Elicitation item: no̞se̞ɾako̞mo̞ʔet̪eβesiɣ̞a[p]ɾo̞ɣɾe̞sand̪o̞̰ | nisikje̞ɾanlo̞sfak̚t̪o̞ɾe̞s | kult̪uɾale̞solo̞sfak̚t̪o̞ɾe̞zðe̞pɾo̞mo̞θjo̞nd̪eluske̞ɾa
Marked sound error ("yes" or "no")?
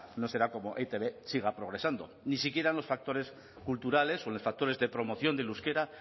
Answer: no